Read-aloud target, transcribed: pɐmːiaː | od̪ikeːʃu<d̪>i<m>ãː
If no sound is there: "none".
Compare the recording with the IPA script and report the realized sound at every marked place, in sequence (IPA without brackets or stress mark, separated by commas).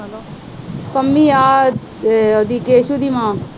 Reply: d̪, m